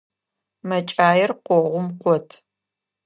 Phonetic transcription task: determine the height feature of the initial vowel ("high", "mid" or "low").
low